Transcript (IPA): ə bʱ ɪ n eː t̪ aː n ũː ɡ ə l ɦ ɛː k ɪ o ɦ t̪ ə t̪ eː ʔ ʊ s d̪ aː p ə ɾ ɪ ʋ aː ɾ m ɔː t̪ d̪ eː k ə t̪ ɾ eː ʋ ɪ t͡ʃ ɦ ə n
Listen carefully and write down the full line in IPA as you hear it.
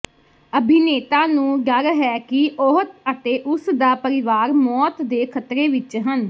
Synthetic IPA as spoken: ə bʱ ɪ n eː t̪ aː n ũː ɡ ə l ɦ ɛː k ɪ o ɦ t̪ ə t̪ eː ʔ ʊ s d̪ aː p ə ɾ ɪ ʋ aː ɾ m ɔː t̪ d̪ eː kʰ ə t̪ ɾ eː ʋ ɪ t͡ʃ ɦ ə n